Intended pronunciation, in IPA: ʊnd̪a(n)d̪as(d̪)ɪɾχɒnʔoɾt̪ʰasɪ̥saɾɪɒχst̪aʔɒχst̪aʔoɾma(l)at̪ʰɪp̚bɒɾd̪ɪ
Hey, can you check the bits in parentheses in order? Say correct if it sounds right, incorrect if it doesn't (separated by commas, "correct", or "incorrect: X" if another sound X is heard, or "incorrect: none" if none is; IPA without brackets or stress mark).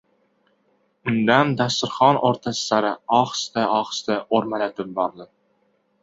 correct, incorrect: t̪, correct